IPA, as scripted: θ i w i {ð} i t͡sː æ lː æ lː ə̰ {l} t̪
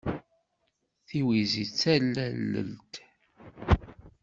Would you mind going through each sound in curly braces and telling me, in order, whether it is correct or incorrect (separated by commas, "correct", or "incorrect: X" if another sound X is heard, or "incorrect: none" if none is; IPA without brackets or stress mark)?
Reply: incorrect: z, correct